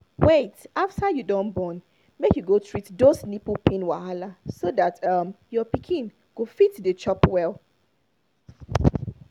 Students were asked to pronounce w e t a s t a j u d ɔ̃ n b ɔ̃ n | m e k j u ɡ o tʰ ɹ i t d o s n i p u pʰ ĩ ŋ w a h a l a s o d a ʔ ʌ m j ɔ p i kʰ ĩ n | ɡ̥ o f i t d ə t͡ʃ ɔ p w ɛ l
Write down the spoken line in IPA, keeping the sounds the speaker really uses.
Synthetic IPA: w e t a f t a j u d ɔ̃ n b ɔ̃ n | m e k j u ɡ o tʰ ɹ i t d o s n i p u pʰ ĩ n w a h a l a s o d a t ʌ m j ɔ p i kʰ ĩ n | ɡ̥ o f i t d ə t͡ʃ ɔ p w ɛ l